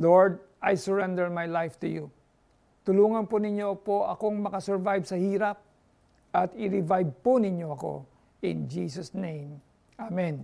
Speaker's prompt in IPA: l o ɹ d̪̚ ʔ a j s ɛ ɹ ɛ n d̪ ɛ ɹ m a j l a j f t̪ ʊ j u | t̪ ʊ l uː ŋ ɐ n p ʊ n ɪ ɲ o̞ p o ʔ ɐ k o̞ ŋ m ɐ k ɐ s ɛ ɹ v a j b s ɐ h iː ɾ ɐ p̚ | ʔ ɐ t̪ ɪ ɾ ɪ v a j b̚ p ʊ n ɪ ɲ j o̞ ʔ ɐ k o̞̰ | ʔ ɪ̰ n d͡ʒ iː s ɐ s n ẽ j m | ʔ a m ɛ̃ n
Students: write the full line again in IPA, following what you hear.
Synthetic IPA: l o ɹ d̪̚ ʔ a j s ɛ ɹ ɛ n d̪ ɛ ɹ m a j l a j f t̪ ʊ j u | t̪ ʊ l uː ŋ ɐ n p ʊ n ɪ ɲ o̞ p o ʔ ɐ k o̞ ŋ m ɐ k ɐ s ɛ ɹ v a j b s ɐ h iː ɾ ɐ p̚ | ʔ ɐ t̪ ɪ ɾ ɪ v a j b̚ p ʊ n ɪ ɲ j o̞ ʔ ɐ k o̞̰ | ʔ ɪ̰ n d͡ʒ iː s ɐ s n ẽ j m | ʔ a m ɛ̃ n